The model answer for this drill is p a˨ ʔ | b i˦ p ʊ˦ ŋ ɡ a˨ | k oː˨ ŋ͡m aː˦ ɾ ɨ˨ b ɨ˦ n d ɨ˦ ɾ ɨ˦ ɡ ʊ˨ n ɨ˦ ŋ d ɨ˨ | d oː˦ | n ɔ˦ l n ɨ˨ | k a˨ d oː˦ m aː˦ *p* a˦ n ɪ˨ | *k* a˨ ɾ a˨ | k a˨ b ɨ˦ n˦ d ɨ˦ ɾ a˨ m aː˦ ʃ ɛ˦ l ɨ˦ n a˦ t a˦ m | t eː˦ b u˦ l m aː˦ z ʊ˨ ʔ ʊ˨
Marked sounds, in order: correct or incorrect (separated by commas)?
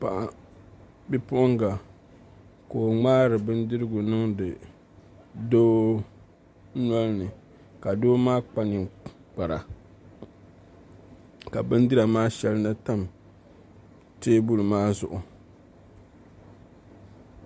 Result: incorrect, incorrect